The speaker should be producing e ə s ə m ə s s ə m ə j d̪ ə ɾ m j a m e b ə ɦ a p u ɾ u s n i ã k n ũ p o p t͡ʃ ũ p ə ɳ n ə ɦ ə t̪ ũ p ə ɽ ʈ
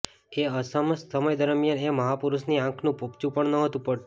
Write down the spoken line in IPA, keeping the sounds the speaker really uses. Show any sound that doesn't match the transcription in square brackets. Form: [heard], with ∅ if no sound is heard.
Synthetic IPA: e ə s ə m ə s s ə m ə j d̪ ə ɾ m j a [n] e [m] ə ɦ a p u ɾ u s n i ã [kʰ] n ũ p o p t͡ʃ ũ p ə ɳ n ə ɦ ə t̪ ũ p ə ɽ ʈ